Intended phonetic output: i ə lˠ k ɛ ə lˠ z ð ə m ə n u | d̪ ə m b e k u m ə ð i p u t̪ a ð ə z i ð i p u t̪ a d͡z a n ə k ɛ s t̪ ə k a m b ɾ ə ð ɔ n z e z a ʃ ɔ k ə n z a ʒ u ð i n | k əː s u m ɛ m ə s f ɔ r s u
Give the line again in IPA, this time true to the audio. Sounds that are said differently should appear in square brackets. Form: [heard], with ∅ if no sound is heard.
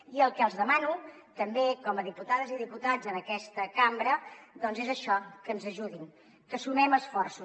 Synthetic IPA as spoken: i ə lˠ k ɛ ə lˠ z ð ə m [a] n u | [t̪] ə m b e k [ɔ] m ə ð i p u t̪ a ð ə z i ð i p u t̪ a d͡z [ə] n ə k ɛ s t̪ ə k a m b ɾ ə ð ɔ n z e z [ə] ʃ ɔ k ə n z [ə] ʒ u ð i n | k [ə] s u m ɛ m ə s f ɔ r s u